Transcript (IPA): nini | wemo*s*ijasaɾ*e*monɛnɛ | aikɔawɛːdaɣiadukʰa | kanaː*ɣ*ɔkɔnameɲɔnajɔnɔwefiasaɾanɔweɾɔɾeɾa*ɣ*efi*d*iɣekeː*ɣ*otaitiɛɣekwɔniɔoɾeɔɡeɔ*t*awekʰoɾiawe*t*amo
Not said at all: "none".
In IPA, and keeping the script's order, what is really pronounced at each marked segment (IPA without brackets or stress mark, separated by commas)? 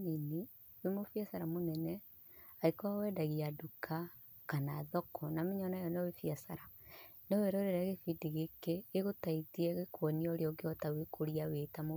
f, a, ð, ɣ, d, ɣ, t, t